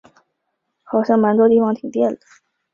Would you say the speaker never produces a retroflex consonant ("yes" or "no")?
yes